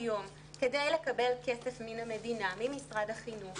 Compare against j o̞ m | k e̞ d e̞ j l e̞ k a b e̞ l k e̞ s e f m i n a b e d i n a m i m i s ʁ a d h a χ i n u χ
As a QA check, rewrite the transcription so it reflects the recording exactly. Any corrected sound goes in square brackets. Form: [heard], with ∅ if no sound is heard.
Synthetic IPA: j o̞ m | k e̞ d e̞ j l e̞ k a b e̞ l k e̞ s e f m i n a [m] e d i n a m i m i s ʁ a d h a χ i n u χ